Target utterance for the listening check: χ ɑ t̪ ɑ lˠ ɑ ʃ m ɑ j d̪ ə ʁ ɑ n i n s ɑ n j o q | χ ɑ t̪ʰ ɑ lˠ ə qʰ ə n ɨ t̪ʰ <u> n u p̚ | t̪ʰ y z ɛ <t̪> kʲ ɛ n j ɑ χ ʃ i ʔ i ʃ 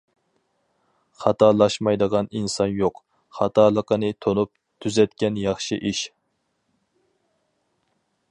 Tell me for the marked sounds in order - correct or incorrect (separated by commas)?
incorrect, correct